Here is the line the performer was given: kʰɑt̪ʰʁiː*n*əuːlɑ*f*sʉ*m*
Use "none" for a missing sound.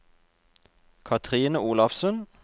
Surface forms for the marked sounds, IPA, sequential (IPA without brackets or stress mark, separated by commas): n, f, n